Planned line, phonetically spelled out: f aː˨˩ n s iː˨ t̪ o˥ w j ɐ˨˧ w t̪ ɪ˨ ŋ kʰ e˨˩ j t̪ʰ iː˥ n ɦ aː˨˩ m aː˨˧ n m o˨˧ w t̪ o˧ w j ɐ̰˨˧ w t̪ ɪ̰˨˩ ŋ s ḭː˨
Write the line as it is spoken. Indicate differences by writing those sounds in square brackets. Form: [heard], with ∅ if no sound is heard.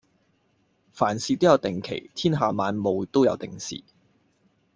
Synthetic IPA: f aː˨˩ n s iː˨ t̪ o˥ w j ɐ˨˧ w t̪ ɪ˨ ŋ kʰ e˨˩ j t̪ʰ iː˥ n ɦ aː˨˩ m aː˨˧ n m o˨˧ w t̪ [o˥] w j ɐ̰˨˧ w t̪ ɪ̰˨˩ ŋ s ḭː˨

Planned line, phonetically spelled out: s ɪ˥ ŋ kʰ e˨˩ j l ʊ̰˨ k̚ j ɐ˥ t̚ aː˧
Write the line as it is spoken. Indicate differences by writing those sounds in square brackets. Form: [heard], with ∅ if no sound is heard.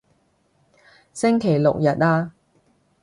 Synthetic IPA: s ɪ˥ ŋ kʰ e˨˩ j l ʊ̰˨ k̚ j [ɐ˨] t̚ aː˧

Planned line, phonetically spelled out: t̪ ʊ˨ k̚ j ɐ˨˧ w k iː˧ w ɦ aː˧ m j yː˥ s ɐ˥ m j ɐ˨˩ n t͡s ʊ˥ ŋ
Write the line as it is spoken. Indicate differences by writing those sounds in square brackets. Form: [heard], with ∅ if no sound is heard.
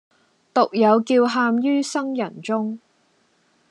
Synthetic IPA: t̪ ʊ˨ k̚ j ɐ˨˧ w k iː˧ w ɦ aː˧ m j yː˥ s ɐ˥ [ŋ] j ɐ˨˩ n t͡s ʊ˥ ŋ

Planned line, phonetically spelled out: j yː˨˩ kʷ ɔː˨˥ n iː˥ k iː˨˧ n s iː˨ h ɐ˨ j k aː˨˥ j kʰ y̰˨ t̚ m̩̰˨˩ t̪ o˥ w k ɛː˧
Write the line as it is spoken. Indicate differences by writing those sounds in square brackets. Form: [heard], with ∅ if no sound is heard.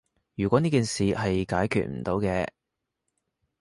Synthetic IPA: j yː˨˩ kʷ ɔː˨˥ n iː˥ k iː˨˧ n s iː˨ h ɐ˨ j k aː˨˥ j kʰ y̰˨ t̚ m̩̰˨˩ t̪ [o˨˧] w k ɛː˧

